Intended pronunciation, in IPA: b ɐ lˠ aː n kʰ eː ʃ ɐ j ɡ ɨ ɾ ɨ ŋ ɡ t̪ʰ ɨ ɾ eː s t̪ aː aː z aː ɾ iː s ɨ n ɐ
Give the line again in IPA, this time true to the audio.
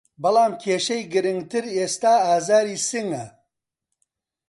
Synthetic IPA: b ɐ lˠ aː m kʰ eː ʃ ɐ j ɡ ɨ ɾ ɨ ŋ ɡ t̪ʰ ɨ ɾ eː s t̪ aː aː z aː ɾ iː s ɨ ŋ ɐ

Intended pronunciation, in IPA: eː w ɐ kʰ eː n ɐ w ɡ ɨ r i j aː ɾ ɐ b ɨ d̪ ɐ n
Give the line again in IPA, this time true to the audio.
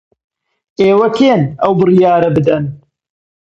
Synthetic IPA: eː w ɐ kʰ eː n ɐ w b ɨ r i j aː ɾ ɐ b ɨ d̪ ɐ n

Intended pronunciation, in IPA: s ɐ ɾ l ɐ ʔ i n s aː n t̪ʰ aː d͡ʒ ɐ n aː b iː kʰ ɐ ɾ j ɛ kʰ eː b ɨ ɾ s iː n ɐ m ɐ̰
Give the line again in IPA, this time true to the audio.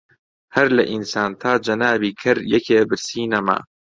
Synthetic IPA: h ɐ ɾ l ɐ ʔ i n s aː n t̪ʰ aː d͡ʒ ɐ n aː b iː kʰ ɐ ɾ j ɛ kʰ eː b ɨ ɾ s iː n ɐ m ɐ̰

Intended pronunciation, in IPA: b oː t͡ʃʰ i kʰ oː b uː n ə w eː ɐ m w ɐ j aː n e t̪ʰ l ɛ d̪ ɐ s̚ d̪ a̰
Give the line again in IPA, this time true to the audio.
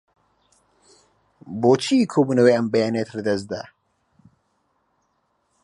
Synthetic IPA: b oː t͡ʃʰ i kʰ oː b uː n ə w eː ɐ m b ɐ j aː n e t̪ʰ l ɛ d̪ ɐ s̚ d̪ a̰

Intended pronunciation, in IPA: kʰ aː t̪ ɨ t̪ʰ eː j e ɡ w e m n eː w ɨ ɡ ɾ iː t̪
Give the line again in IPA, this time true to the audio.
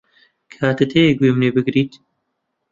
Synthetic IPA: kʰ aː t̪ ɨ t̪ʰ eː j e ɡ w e m n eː b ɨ ɡ ɾ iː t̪

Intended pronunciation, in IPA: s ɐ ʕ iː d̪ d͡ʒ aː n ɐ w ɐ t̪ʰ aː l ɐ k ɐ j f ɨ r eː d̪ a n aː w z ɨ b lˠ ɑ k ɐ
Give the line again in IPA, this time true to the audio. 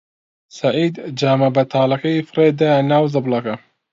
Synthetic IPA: s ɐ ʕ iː d̪ d͡ʒ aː m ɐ b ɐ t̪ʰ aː l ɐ k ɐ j f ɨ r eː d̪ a n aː w z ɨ b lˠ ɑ k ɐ

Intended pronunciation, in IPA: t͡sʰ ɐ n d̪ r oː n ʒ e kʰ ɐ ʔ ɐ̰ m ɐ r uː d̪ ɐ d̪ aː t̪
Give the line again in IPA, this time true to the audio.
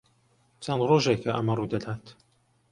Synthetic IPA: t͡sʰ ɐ n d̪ r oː ʒ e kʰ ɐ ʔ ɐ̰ m ɐ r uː d̪ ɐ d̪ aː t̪

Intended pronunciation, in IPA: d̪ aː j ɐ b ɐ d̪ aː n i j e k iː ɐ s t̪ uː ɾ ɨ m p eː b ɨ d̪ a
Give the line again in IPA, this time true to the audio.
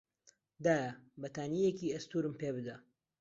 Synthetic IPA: d̪ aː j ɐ b ɐ t̪ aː n i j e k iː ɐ s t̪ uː ɾ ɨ m p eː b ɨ d̪ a

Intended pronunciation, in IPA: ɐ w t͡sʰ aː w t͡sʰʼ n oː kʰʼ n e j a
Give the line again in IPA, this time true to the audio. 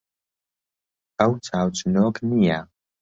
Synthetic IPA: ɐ w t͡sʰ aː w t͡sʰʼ n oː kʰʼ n i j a

